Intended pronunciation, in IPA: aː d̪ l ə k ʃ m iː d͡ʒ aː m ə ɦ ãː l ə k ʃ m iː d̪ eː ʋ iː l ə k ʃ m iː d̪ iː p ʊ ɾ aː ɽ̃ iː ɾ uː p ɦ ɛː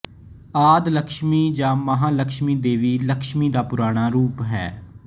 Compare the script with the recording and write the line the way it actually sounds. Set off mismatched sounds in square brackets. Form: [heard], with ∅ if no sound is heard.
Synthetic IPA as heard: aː d̪ l ə k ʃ m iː d͡ʒ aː m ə ɦ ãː l ə k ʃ m iː d̪ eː ʋ iː l ə k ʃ m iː d̪ [aː] p ʊ ɾ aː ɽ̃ [aː] ɾ uː p ɦ ɛː